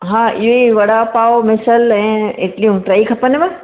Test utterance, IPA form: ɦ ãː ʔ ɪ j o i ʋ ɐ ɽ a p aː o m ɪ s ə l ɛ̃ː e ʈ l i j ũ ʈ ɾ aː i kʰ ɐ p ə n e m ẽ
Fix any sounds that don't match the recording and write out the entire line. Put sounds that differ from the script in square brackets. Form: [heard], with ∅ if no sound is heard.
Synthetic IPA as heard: ɦ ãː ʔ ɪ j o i ʋ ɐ ɽ a p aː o m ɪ s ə l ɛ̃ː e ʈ l i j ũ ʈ ɾ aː i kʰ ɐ p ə n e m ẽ